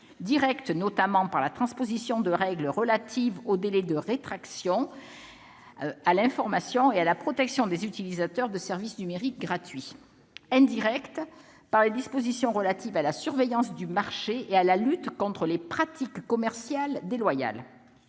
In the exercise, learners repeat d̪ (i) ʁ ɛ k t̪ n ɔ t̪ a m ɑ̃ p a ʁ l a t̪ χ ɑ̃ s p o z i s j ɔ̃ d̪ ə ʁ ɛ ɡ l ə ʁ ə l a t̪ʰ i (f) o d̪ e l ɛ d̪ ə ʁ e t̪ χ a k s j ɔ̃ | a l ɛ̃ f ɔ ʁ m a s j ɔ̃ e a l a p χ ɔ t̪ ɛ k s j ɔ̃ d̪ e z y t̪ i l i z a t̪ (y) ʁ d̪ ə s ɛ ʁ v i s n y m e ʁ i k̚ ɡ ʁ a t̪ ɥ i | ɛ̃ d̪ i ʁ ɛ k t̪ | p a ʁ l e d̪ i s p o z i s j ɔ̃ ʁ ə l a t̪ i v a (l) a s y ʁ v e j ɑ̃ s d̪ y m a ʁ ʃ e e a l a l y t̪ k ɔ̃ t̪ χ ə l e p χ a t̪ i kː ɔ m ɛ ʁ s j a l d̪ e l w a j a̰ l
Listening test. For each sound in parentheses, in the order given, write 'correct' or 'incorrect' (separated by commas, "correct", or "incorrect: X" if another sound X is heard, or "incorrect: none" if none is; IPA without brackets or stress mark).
correct, incorrect: v, incorrect: œ, correct